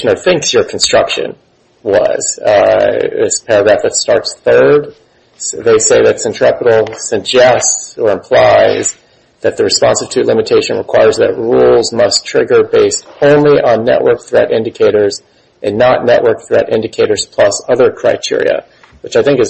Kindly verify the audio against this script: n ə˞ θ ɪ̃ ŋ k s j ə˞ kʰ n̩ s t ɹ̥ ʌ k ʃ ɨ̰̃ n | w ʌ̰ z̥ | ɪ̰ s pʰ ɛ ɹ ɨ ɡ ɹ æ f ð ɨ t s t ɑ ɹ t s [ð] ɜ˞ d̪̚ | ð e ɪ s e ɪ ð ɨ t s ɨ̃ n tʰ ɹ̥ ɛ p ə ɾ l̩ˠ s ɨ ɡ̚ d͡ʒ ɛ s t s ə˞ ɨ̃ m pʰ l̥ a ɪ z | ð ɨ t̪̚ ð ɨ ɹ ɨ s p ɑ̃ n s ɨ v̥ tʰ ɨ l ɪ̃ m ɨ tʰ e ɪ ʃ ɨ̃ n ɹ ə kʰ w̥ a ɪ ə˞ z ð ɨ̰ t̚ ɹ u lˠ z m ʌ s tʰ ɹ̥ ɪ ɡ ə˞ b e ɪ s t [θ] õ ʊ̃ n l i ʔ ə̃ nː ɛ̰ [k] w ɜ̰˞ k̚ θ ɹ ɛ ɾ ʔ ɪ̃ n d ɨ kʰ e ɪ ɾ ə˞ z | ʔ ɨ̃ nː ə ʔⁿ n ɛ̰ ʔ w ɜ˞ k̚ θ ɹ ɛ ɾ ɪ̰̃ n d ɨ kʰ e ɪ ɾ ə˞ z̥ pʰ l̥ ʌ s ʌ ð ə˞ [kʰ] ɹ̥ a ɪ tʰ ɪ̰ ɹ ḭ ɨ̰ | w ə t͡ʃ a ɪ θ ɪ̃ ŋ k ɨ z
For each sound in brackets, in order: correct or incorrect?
incorrect, incorrect, incorrect, correct

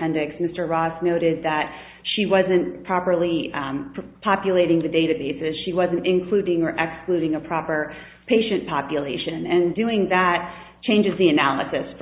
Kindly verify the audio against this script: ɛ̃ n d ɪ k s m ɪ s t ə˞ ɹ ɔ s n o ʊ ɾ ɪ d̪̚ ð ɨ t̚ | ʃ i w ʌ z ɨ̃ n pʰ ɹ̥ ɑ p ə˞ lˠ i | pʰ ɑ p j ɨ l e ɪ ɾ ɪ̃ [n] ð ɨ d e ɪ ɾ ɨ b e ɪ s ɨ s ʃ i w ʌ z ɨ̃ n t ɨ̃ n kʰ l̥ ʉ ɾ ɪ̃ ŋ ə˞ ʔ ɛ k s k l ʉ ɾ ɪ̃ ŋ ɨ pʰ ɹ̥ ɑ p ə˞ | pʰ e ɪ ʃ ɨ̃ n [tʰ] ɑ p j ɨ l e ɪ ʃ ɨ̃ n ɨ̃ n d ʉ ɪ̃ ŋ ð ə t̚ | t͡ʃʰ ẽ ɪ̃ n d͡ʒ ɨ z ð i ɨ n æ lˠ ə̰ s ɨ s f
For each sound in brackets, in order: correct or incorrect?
incorrect, incorrect

